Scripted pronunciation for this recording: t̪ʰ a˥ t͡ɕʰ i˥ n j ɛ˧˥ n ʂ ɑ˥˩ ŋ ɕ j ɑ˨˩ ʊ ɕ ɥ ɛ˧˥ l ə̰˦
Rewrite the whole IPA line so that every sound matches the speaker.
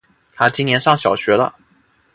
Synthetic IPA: t̪ʰ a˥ t͡ɕ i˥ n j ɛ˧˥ n ʂ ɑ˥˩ ŋ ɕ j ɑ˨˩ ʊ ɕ ɥ ɛ˧˥ l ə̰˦